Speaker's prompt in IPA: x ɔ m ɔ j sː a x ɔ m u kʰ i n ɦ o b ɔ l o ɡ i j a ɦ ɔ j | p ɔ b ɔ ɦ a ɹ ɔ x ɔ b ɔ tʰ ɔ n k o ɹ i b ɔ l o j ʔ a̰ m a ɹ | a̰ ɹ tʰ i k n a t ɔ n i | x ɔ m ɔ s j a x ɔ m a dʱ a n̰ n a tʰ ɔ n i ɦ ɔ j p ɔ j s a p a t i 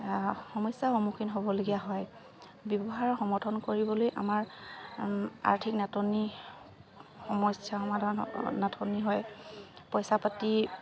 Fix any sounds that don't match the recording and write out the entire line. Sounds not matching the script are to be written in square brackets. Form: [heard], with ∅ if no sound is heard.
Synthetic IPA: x ɔ m ɔ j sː a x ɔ m u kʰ i n ɦ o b ɔ l o ɡ i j a ɦ ɔ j | [b] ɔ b ɔ ɦ a ɹ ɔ x ɔ [m] ɔ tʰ ɔ n k o ɹ i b ɔ l o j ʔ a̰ m a ɹ | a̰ ɹ tʰ i k n a t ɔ n i | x ɔ m ɔ s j a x ɔ m a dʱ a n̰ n a tʰ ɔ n i ɦ ɔ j p ɔ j s a p a t i